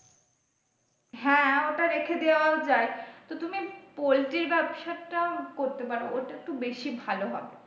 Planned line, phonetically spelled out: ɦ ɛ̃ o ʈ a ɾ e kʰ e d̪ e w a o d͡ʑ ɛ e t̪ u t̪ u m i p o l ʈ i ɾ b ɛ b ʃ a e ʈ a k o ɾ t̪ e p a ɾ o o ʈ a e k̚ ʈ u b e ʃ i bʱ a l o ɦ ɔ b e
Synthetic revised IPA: ɦ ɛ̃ o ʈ a ɾ e kʰ e d̪ e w a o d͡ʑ a e t̪ o t̪ u m i p o l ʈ i ɾ b ɛ b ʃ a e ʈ a k o ɾ t̪ e p a ɾ o o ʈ a e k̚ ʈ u b e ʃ i bʱ a l o ɦ ɔ b e